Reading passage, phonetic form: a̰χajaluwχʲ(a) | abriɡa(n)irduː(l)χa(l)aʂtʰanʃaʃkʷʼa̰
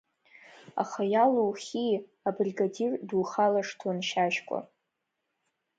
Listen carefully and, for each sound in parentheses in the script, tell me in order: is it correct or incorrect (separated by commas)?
incorrect, incorrect, incorrect, correct